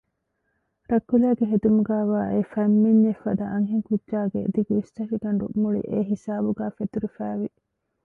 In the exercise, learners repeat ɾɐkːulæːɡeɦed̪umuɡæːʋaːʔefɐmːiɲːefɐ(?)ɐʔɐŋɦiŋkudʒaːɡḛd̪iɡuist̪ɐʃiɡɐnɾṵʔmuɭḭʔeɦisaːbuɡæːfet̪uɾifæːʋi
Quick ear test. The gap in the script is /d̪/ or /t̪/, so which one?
d̪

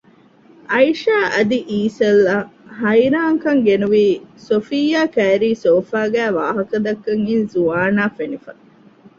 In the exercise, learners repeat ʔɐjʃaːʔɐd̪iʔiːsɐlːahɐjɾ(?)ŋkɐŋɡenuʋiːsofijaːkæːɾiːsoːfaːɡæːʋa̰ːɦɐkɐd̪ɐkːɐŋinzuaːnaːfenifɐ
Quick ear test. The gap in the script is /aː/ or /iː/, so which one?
aː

